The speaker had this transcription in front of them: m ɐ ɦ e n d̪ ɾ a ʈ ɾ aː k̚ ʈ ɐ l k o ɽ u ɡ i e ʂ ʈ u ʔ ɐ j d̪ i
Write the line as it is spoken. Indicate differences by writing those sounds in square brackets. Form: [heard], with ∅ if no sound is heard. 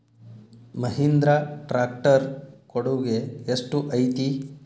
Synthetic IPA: m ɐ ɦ [i] n d̪ ɾ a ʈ ɾ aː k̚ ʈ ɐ [ɾ] k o ɽ u ɡ [e] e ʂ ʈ u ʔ ɐ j [t̪] i